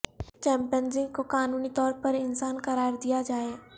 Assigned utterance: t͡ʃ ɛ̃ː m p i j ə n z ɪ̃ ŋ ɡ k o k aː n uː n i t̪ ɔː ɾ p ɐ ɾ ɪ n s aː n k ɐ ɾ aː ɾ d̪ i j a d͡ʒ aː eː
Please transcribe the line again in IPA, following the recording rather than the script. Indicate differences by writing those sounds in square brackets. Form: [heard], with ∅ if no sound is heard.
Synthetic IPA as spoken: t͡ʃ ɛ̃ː m p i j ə n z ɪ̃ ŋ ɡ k o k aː n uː n i t̪ ɔː ɾ p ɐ ɾ ɪ n s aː n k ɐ ɾ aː ɾ d̪ i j a d͡ʒ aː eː